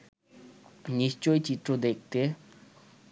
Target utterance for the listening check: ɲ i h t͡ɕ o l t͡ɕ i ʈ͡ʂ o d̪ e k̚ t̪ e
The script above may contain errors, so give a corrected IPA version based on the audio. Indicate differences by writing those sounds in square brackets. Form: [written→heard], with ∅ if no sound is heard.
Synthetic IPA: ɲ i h t͡ɕ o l t͡ɕ i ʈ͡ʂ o d̪ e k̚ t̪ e